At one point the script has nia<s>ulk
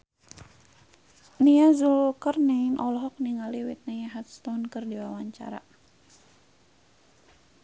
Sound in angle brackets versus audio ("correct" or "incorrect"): incorrect